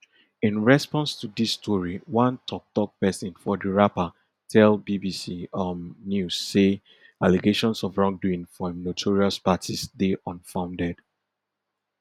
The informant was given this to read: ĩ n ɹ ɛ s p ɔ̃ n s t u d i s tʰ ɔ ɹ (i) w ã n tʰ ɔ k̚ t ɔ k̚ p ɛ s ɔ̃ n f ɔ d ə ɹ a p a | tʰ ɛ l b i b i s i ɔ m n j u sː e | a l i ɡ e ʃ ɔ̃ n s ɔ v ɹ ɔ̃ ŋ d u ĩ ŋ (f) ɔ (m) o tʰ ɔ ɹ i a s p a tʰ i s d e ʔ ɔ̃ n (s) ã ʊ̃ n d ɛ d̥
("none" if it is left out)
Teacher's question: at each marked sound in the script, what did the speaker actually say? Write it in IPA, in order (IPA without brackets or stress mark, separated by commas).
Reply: i, f, n, f